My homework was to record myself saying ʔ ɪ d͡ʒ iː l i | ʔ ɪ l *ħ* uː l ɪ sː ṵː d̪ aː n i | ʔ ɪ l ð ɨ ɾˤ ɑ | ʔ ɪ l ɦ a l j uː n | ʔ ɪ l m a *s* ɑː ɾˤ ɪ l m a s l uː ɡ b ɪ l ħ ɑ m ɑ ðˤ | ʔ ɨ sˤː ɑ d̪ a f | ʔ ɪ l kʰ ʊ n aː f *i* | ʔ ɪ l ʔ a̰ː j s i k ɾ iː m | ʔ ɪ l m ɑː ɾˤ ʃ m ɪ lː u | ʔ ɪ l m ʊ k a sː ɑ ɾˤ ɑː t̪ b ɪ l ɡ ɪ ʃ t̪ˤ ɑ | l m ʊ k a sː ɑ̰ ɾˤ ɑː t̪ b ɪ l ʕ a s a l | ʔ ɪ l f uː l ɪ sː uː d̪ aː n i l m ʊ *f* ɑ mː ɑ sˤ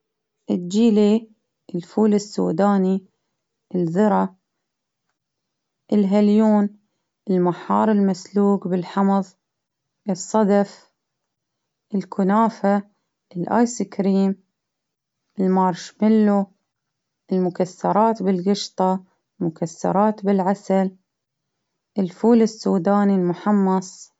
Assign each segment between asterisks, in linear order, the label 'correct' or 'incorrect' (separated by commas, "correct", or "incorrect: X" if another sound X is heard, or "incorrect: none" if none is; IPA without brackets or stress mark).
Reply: incorrect: f, incorrect: ħ, incorrect: a, incorrect: ħ